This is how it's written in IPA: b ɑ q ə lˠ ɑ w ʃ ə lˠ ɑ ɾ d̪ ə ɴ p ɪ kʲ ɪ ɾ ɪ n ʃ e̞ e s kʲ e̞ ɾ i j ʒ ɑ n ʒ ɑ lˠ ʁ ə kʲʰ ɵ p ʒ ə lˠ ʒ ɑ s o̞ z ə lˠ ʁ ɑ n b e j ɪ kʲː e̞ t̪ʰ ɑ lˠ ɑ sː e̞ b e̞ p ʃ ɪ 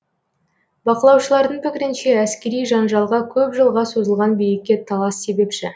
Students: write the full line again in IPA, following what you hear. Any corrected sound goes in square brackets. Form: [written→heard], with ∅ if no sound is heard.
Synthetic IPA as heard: b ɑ q ə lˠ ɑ w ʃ ə lˠ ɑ ɾ d̪ ə ɴ p ɪ kʲ ɪ ɾ ɪ n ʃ e̞ [e→æ] s kʲ e̞ ɾ i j ʒ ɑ n ʒ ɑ lˠ ʁ [ə→ɑ] kʲʰ ɵ p ʒ ə lˠ [ʒ→ʁ] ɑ s o̞ z ə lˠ ʁ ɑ n b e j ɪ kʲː e̞ t̪ʰ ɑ lˠ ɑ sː e̞ b e̞ p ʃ ɪ